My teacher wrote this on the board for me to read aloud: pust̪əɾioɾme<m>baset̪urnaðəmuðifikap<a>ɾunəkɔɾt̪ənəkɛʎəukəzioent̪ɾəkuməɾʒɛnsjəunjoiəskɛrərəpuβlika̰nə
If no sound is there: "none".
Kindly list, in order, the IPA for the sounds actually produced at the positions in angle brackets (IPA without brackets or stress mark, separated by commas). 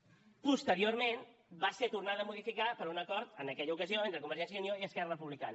n, ə